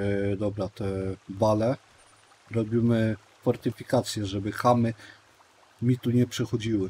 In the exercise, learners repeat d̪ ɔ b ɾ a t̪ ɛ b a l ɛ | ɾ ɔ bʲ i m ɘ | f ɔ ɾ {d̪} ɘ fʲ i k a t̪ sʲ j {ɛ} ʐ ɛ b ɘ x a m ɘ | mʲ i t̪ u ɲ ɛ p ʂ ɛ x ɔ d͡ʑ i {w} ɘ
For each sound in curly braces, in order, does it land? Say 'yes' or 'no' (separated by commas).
no, yes, yes